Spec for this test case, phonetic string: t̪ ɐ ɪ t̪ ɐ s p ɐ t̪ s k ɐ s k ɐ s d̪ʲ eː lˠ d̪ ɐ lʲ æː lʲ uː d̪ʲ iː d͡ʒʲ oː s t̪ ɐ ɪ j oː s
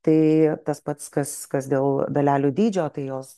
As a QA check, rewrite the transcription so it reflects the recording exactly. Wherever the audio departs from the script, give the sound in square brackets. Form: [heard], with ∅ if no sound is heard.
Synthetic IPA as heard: t̪ ɐ ɪ t̪ ɐ s p ɐ t̪ s k ɐ s k ɐ s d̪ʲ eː lˠ d̪ ɐ lʲ æː lʲ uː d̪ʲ iː d͡ʒʲ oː [∅] t̪ ɐ ɪ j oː s